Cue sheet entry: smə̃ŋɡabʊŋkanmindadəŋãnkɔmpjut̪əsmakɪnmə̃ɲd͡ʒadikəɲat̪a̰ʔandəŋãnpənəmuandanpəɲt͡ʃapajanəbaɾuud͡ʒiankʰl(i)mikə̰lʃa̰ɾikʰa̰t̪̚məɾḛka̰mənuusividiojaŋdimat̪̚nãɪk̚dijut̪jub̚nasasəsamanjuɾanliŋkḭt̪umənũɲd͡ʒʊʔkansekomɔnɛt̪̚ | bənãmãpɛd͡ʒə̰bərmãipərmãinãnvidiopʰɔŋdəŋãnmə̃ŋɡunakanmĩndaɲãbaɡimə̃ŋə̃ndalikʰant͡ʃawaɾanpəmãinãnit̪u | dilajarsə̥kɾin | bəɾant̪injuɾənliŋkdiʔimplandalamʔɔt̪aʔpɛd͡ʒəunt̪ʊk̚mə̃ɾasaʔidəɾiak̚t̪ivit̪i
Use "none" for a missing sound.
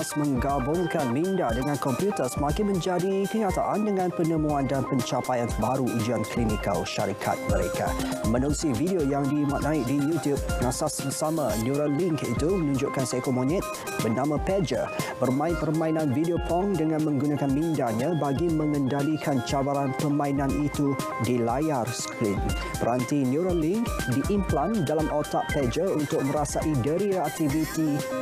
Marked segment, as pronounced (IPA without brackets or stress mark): i